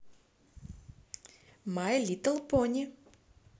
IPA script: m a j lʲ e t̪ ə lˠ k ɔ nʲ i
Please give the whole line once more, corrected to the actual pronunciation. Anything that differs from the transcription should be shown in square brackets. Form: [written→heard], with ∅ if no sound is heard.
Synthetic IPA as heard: m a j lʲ [e→i] t̪ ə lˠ [k→p] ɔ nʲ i